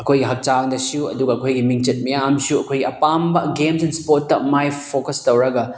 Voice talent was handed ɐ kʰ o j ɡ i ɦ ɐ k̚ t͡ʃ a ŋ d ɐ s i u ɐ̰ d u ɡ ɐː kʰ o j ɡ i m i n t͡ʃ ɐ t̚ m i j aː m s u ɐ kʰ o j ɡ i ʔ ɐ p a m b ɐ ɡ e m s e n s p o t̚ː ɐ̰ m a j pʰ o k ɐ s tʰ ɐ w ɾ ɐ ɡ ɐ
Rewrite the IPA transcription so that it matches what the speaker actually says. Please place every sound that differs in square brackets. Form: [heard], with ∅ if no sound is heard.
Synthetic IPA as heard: ɐ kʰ o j ɡ i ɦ ɐ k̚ t͡ʃ a ŋ d ɐ s i u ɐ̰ d u ɡ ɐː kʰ o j ɡ i m i [ŋ] t͡ʃ ɐ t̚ m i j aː m s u ɐ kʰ o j ɡ i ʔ ɐ p a m b ɐ ɡ e m s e n s p o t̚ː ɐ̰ m a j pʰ o k ɐ s [t] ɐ w ɾ ɐ ɡ ɐ

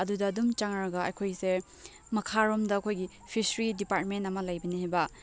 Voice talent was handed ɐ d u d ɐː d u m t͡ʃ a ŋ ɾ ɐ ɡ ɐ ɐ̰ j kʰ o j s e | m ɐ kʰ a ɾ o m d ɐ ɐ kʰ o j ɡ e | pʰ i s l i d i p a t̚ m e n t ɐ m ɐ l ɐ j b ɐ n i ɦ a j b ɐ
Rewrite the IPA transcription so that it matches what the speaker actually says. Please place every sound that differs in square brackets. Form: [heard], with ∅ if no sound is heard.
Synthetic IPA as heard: ɐ d u d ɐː d u m t͡ʃ a ŋ ɾ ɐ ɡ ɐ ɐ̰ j kʰ o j s e | m ɐ kʰ a ɾ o m d ɐ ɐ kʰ o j ɡ [i] | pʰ i s [ɾ] i d i p a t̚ m e n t ɐ m ɐ l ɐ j b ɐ n i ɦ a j b ɐ

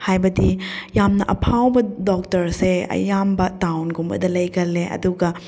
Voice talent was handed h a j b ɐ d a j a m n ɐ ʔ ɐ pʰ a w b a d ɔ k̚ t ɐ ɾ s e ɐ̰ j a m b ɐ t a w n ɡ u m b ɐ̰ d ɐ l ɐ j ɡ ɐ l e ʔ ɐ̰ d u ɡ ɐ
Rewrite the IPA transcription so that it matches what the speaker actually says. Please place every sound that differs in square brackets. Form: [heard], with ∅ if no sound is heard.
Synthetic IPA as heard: h a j b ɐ d [i] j a m n ɐ ʔ ɐ pʰ a w b [ɐ] d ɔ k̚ t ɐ ɾ s e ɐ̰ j a m b ɐ t a w n ɡ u m b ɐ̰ d ɐ l ɐ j ɡ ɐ l e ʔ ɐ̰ d u ɡ ɐ

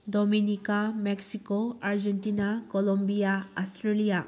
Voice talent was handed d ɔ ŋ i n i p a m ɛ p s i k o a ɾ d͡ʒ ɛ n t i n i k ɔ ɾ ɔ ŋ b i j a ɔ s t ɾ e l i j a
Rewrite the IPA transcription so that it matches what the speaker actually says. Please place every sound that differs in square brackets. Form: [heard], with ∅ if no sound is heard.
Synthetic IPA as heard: d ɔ [m] i n i [k] a m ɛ [k] s i k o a ɾ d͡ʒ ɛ n t i n [a] k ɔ [l] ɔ [m] b i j a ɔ s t ɾ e l i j a

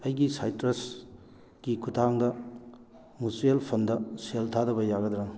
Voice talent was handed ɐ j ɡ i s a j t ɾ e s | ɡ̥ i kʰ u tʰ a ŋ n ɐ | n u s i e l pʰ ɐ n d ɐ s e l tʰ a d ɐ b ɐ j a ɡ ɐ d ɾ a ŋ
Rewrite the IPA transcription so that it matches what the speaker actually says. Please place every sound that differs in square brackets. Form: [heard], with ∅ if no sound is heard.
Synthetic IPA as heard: ɐ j ɡ i s a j t ɾ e s | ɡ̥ i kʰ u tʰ a ŋ [d] ɐ | [m] u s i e l pʰ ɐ n d ɐ s e l tʰ a d ɐ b ɐ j a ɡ ɐ d ɾ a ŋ

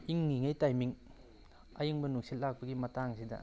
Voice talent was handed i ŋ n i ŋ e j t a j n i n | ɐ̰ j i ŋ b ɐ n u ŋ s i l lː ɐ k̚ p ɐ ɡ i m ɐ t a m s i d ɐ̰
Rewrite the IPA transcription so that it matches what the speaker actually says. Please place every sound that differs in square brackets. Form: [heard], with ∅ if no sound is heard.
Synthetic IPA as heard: i ŋ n i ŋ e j t a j [m] i [ŋ] | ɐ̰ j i ŋ b ɐ n u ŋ s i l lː [a] k̚ p ɐ ɡ i m ɐ t a [ŋ] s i d ɐ̰

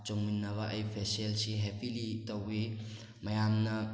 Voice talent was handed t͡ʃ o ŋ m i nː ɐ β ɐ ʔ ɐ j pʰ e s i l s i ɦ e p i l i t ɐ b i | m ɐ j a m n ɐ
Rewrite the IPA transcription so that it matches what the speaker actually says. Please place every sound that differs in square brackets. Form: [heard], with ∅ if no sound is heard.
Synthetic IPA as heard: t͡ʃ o ŋ m i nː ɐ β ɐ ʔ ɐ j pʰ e s [e] l s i ɦ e p i l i t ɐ [w] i | m ɐ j a m n ɐ

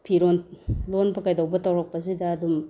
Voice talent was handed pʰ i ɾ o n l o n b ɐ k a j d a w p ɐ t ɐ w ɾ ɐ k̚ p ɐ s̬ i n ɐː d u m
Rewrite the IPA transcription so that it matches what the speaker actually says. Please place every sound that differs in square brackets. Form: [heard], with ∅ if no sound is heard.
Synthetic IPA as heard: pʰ i ɾ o n l o n b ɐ k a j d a w [b] ɐ t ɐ w ɾ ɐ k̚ p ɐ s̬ i [d] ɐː d u m

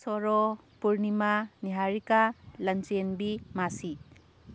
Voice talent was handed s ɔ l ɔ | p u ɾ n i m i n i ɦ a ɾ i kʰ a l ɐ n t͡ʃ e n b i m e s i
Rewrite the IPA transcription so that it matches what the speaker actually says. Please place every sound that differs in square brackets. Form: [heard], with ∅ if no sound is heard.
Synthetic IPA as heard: s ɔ [ɾ] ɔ | p u ɾ n i m [a] n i ɦ a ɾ i [k] a l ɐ n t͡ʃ e n b i m [a] s i

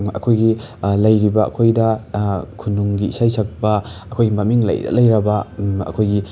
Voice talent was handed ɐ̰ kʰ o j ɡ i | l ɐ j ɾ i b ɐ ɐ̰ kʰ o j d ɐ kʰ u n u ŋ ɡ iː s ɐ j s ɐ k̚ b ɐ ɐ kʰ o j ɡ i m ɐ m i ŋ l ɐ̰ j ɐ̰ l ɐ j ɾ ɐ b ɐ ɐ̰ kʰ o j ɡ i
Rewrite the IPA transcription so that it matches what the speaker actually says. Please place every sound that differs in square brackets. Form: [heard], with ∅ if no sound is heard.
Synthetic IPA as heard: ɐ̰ kʰ o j ɡ i | l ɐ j ɾ i b ɐ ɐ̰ kʰ o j d ɐ kʰ u n u ŋ ɡ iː s [a] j s ɐ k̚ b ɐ ɐ kʰ o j ɡ i m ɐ m i ŋ l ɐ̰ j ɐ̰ l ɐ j ɾ ɐ b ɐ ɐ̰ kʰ o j ɡ i

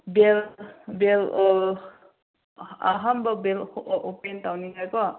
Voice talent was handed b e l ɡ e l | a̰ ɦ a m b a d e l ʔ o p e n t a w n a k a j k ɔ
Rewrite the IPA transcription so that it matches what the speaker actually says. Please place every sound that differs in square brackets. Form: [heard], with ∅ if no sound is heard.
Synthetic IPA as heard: b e l [b] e l | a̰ ɦ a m b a [b] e l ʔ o p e n t a w n [i] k a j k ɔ

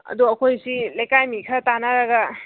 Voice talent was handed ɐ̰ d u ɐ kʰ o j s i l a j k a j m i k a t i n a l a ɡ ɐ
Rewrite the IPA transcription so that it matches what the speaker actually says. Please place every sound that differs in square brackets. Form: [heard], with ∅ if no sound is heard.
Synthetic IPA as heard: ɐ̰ d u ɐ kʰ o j s i l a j k a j m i [kʰ] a t [a] n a [ɾ] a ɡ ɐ

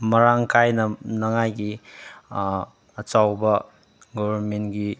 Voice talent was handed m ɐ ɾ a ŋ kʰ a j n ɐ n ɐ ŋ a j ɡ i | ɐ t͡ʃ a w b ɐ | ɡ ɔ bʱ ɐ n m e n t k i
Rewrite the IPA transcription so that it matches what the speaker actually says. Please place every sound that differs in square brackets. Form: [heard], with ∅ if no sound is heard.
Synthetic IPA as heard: m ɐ ɾ a ŋ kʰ a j n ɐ n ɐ ŋ a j ɡ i | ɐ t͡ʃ a w b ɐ | ɡ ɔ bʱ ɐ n m e n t [ɡ] i

